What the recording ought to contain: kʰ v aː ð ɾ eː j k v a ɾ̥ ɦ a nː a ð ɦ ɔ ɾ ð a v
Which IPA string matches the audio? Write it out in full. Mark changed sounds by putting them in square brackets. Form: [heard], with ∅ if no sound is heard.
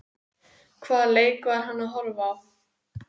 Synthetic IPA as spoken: kʰ v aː ð [l] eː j k v a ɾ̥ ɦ a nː a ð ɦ ɔ ɾ [v] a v